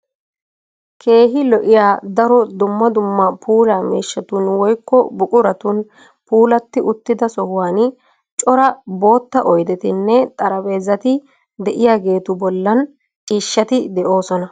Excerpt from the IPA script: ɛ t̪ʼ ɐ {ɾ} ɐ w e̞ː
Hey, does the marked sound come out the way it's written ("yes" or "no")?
yes